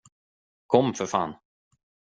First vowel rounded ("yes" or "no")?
yes